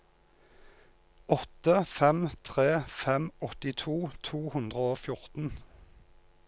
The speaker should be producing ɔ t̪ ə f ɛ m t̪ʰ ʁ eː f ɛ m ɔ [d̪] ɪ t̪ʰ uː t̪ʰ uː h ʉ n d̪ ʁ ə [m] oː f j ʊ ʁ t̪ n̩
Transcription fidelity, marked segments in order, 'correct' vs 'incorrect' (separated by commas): incorrect, incorrect